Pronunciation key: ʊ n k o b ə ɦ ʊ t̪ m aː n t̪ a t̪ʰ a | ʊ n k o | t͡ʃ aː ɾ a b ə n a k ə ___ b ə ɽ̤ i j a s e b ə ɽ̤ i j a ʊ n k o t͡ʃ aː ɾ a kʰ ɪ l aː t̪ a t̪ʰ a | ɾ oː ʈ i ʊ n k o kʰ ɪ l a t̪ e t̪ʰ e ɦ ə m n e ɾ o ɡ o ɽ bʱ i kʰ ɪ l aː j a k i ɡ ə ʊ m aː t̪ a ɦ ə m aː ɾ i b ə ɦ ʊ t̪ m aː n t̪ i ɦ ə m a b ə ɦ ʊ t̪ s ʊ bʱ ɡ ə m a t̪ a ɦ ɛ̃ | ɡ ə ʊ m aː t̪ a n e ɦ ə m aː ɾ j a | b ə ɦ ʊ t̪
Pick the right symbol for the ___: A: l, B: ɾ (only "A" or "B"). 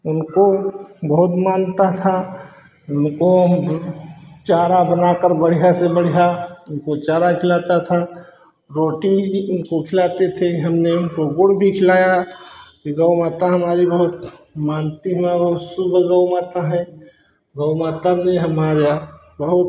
B